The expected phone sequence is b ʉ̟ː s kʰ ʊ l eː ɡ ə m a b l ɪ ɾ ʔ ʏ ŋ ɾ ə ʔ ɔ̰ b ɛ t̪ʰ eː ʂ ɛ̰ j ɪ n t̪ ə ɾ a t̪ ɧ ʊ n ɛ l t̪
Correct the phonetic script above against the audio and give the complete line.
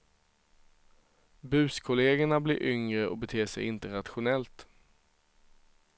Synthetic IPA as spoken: b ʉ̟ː s kʰ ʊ l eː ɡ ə ɳ a b l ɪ ɾ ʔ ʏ ŋ ɾ ə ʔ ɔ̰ b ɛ t̪ʰ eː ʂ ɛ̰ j ɪ n t̪ ə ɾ a t̪ ɧ ʊ n ɛ l t̪